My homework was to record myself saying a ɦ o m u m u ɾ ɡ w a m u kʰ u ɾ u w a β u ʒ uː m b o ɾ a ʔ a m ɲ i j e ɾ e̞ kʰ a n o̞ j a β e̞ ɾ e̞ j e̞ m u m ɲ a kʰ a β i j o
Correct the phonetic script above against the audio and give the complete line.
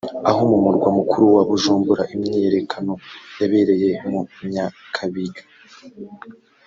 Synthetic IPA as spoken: a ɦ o m u m u ɾ ɡ w a m u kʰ u ɾ u w a β u ʒ uː m b u ɾ a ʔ i m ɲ i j e ɾ e̞ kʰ a n o̞ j a β e̞ ɾ e̞ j e̞ m u m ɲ a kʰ a β i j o